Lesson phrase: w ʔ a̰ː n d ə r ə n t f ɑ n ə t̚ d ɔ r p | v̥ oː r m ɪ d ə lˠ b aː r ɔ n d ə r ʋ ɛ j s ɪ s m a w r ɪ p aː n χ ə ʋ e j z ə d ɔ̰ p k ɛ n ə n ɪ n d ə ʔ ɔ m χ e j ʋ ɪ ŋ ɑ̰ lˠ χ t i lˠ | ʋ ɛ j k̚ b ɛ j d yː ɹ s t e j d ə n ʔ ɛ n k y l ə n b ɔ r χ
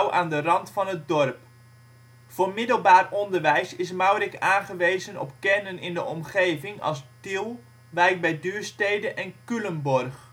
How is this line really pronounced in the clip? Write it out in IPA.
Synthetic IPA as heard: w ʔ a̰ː n d ə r ɑ n t f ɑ n ə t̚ d ɔ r p | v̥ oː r m ɪ d ə lˠ b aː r ɔ n d ə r ʋ ɛ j s ɪ s m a w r ɪ k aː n χ ə ʋ e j z ə n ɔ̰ p k ɛ n ə n ɪ n d ə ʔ ɔ m χ e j v ɪ ŋ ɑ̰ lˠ s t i lˠ | ʋ ɛ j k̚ b ɛ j d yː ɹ s t e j d ə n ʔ ɛ n k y l ə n b ɔ r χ